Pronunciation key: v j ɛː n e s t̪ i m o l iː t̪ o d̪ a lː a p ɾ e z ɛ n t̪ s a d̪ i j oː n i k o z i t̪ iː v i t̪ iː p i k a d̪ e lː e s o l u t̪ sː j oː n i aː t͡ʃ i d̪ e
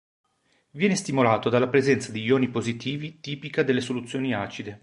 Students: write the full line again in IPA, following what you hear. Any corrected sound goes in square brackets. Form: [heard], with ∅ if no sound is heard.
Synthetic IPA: v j ɛː n e s t̪ i m o l [aː] t̪ o d̪ a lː a p ɾ e z ɛ n t̪ s a d̪ i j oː n i [p] o z i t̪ iː v i t̪ iː p i k a d̪ e lː e s o l u t̪ sː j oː n i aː t͡ʃ i d̪ e